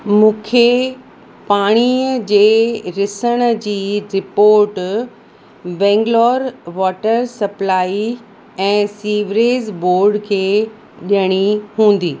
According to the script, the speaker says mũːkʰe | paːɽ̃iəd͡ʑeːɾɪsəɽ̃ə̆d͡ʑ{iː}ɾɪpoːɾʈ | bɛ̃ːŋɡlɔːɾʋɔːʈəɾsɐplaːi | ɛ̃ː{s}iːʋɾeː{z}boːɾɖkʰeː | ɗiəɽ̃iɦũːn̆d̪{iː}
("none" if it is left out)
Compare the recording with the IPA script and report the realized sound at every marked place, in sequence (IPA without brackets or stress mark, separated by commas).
iː, s, z, iː